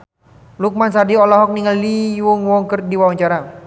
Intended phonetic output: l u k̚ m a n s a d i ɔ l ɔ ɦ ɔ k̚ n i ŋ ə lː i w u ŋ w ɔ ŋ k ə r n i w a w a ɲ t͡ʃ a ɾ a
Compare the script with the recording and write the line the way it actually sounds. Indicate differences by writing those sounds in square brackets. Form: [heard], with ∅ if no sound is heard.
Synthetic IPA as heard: l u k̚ m a n s a d i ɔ l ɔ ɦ ɔ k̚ n i ŋ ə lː i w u ŋ w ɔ ŋ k ə r [d] i w a w a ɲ t͡ʃ a ɾ a